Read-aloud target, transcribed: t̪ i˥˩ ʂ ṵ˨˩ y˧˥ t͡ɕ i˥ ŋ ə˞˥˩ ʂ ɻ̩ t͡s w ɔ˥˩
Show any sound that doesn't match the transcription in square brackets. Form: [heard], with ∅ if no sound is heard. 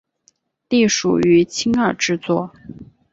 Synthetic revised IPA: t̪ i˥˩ ʂ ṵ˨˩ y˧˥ [t͡ɕʰ] i˥ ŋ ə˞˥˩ [ʈ͡ʂ] ɻ̩ t͡s w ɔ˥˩

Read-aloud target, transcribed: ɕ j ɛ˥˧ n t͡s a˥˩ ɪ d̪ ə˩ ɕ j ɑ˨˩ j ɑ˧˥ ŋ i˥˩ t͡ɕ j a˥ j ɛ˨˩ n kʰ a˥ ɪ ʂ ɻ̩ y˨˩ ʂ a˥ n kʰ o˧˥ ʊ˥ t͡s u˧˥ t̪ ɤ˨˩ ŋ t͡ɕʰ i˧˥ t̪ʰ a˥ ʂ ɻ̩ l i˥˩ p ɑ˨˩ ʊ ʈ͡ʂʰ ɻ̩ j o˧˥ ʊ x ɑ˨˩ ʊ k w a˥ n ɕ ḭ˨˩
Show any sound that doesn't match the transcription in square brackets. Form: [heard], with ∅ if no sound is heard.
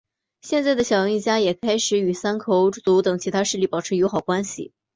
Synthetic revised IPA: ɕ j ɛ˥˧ n t͡s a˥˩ ɪ d̪ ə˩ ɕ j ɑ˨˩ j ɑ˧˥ ŋ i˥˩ t͡ɕ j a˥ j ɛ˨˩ [∅] kʰ a˥ ɪ ʂ ɻ̩ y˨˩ [s] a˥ n kʰ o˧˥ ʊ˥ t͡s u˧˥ t̪ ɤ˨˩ ŋ t͡ɕʰ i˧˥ t̪ʰ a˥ ʂ ɻ̩ l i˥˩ p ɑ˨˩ ʊ ʈ͡ʂʰ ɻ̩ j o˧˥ ʊ x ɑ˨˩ ʊ k w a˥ n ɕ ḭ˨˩

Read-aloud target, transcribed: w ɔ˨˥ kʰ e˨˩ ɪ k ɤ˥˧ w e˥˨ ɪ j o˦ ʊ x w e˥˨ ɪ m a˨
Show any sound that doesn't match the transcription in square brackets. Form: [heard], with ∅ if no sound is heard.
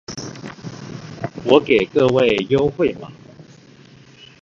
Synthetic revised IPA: w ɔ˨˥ [k] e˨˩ ɪ k ɤ˥˧ w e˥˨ ɪ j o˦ ʊ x w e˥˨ ɪ m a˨

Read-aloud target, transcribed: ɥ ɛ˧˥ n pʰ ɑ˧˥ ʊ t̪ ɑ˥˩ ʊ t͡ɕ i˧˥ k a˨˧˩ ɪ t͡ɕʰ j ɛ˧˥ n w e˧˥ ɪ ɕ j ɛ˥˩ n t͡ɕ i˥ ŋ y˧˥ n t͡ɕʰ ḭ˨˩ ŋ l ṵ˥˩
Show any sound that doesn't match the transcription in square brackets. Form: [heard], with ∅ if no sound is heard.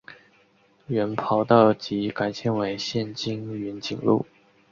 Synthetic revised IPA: ɥ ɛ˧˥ n pʰ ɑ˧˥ ʊ t̪ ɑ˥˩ ʊ t͡ɕ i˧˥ k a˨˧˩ ɪ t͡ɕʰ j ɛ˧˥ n w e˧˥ ɪ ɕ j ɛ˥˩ n t͡ɕ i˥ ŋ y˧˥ n [t͡ɕ] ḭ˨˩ ŋ l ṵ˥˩

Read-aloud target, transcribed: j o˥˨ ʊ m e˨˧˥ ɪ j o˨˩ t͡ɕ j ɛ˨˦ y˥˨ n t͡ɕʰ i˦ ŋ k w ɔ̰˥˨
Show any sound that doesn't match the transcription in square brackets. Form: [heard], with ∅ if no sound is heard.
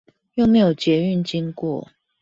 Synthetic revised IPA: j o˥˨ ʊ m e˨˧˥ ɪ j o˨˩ t͡ɕ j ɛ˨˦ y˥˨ n [t͡ɕ] i˦ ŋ k w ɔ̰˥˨

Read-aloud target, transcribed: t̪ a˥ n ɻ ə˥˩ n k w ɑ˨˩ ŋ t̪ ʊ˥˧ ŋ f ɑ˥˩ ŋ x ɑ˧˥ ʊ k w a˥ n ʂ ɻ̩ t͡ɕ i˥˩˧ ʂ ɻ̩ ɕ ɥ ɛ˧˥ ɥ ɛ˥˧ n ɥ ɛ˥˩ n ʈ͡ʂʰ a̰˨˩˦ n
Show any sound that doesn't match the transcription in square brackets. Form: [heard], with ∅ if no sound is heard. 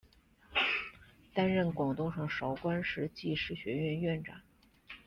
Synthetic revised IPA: t̪ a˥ n ɻ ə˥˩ n k w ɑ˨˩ ŋ t̪ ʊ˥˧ ŋ [ʂ] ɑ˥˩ ŋ [ʂ] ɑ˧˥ ʊ k w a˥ n ʂ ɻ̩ t͡ɕ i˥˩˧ ʂ ɻ̩ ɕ ɥ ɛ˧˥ ɥ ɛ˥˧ n ɥ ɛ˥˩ n [ʈ͡ʂ] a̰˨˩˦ n

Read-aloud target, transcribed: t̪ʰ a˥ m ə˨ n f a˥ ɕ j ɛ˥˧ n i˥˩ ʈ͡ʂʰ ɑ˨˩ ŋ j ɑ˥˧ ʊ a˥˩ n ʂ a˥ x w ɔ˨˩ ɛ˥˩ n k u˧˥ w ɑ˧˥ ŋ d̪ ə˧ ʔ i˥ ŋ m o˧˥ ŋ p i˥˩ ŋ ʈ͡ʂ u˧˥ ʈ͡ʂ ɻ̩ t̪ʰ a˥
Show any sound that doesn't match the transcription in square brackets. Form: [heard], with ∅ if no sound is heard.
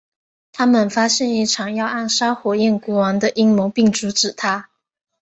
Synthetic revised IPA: t̪ʰ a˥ m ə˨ n f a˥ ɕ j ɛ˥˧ n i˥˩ ʈ͡ʂʰ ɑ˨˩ ŋ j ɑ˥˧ ʊ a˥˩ n ʂ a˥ x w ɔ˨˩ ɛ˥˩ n k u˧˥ w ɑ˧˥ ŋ d̪ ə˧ ʔ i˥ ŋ m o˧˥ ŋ p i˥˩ ŋ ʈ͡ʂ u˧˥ ʈ͡ʂ ɻ̩ t̪ʰ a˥

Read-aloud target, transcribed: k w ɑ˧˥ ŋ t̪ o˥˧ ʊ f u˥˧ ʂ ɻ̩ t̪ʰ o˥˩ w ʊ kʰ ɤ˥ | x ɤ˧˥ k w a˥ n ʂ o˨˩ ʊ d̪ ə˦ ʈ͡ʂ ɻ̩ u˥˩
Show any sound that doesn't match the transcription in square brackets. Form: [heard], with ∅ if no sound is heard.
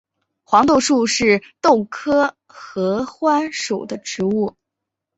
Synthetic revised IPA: [x] w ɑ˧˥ ŋ t̪ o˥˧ ʊ [ʂ] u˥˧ ʂ ɻ̩ [t̪] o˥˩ [∅] ʊ kʰ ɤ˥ | x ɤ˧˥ [x] w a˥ n ʂ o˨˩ ʊ d̪ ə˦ ʈ͡ʂ ɻ̩ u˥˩

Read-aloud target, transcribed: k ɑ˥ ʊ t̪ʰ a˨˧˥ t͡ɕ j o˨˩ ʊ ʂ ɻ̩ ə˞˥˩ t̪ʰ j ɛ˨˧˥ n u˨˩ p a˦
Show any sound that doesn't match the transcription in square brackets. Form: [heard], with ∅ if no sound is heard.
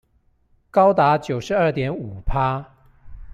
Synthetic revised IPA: k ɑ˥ ʊ [t̪] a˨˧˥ t͡ɕ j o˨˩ ʊ ʂ ɻ̩ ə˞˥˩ [t̪] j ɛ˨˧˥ n u˨˩ [pʰ] a˦

